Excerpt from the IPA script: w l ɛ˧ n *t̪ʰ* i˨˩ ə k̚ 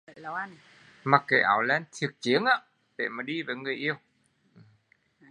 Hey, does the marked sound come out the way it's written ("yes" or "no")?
yes